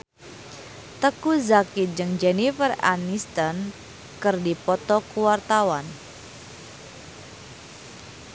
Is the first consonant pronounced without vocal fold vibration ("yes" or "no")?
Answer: yes